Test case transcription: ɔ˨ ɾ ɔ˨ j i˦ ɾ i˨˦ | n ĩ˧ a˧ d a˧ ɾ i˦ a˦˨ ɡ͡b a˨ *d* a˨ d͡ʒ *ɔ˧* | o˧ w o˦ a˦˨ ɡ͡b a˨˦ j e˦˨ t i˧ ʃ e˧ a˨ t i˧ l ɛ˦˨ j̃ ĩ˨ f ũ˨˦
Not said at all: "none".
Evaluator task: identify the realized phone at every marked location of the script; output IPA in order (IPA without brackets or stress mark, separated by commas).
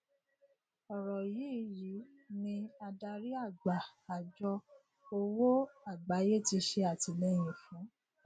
none, ɔ˧